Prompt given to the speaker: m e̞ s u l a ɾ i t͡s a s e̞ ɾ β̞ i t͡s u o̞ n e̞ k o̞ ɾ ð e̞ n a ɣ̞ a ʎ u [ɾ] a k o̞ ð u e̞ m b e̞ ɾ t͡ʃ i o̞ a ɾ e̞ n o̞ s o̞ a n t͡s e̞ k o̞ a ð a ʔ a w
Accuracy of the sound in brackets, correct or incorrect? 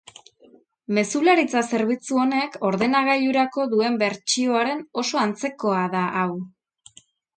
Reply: correct